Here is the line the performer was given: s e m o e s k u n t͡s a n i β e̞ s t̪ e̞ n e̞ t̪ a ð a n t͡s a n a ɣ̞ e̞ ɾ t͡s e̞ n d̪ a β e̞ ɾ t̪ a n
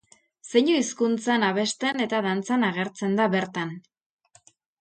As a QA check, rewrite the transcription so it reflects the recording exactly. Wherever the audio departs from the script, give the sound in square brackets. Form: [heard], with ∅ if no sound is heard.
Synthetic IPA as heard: s e [ɲ] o [i] s k u n t͡s a n [a] β e̞ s t̪ e̞ n e̞ t̪ a ð a n t͡s a n a ɣ̞ e̞ ɾ t͡s e̞ n d̪ a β e̞ ɾ t̪ a n